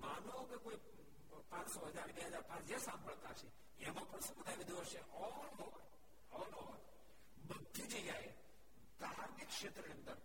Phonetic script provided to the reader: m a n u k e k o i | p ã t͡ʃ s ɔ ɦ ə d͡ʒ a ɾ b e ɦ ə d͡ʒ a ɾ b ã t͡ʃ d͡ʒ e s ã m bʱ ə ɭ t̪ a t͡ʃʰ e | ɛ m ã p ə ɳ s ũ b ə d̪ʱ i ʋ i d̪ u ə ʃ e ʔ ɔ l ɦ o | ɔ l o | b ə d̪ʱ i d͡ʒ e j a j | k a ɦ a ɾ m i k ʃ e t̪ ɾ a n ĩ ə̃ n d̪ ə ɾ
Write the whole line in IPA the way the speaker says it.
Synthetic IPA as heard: m a n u k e k o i | p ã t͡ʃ s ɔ ɦ ə d͡ʒ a ɾ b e ɦ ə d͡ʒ a ɾ p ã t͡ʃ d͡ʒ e s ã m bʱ ə ɭ t̪ a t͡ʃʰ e | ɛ m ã p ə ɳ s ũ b ə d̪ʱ a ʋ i d̪ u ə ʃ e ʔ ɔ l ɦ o | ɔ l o | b ə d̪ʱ i d͡ʒ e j a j | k a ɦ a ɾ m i k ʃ e t̪ ɾ ə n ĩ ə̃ n d̪ ə ɾ